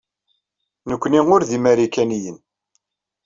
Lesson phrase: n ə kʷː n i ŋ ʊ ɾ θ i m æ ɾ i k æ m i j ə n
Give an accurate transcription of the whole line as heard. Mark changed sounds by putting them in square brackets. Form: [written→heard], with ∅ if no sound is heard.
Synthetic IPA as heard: n ə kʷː n i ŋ ʊ ɾ [θ→ð] i m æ ɾ i k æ [m→n] i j ə n